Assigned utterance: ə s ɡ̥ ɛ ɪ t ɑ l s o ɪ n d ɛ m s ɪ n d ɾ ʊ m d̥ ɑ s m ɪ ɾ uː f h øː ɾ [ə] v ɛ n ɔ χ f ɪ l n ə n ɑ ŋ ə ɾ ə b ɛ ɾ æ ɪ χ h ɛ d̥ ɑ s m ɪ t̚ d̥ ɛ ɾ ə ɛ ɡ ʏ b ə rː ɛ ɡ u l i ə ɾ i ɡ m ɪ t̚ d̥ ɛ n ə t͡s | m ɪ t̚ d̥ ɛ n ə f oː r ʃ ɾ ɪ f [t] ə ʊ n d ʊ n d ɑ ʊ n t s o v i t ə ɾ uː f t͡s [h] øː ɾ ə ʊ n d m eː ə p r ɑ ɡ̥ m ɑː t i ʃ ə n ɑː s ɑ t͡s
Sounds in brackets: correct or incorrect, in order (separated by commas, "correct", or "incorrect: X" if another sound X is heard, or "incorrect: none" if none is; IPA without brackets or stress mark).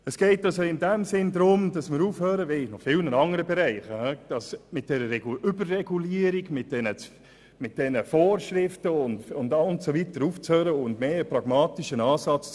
correct, correct, correct